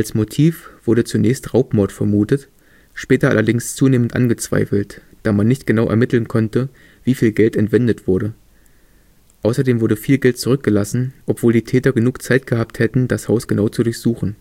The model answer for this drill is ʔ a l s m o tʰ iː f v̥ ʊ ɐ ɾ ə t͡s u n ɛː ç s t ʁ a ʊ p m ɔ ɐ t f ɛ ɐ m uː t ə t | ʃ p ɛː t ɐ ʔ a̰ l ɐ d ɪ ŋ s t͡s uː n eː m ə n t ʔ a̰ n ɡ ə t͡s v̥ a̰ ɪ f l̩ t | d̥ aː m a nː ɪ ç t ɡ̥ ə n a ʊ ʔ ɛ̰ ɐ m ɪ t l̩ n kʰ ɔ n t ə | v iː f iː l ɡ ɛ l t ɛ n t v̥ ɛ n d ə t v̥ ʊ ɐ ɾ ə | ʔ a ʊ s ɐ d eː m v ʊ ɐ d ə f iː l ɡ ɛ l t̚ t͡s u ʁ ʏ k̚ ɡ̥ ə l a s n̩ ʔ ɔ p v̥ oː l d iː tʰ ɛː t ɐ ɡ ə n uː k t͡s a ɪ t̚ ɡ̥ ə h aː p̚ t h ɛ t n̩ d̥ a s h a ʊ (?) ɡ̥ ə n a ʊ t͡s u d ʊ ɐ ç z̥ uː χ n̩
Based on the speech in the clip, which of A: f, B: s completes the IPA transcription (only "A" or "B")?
B